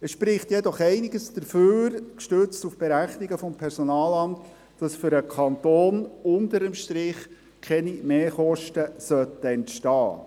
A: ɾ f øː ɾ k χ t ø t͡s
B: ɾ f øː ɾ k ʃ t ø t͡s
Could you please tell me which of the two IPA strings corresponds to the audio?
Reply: B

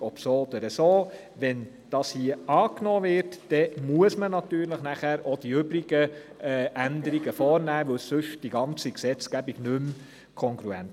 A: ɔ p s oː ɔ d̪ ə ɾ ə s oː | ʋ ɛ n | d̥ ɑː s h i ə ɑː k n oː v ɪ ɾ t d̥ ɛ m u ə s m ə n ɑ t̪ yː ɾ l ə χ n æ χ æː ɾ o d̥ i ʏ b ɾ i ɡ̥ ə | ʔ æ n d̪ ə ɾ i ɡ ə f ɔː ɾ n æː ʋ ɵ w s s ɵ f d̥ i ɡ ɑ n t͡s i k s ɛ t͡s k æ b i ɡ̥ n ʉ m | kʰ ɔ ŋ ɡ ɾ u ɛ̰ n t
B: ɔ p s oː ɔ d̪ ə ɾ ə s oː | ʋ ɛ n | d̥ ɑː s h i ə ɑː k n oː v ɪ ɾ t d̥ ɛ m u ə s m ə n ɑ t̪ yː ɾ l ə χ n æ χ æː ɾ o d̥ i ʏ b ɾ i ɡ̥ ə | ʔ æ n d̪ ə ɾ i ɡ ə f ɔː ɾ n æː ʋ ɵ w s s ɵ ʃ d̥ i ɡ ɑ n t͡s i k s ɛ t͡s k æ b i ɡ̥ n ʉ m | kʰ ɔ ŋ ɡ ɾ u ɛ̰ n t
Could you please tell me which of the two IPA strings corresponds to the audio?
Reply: B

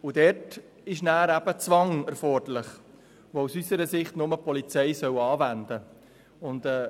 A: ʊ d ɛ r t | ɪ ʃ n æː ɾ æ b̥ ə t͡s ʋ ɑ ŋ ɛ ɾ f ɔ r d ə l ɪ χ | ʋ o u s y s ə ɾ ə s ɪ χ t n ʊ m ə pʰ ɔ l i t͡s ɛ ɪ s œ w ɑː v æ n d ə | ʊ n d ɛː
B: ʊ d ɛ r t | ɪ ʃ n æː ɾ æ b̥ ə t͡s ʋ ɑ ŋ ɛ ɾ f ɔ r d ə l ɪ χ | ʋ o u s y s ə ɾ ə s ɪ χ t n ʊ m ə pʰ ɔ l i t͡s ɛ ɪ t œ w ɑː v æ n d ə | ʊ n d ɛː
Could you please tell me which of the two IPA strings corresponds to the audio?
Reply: A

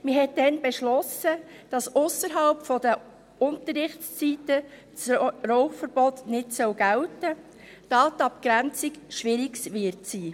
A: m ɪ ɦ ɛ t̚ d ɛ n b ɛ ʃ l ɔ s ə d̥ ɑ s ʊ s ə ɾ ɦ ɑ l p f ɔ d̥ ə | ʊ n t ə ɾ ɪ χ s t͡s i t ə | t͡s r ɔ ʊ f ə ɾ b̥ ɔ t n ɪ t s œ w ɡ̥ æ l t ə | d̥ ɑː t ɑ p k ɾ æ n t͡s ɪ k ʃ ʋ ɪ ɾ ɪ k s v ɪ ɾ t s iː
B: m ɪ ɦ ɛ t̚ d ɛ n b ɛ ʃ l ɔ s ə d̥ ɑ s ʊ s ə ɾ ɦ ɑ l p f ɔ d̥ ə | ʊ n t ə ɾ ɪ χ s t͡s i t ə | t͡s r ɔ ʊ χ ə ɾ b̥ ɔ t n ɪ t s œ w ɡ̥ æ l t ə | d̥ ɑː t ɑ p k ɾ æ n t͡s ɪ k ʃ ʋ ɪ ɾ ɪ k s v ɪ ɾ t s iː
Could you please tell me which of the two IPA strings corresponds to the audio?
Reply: A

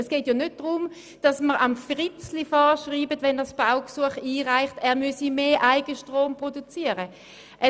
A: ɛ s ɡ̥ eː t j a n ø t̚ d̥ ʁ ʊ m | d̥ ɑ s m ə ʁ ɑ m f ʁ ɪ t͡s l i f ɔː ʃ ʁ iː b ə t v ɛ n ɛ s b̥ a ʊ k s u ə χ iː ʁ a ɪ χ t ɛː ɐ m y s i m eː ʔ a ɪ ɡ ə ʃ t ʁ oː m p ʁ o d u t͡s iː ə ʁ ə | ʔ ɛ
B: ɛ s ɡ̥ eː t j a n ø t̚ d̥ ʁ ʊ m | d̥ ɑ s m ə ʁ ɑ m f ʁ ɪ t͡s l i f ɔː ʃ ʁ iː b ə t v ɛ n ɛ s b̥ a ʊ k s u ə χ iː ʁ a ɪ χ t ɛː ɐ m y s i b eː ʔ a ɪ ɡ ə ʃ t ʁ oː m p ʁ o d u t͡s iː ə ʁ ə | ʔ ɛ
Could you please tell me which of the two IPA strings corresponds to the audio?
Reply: A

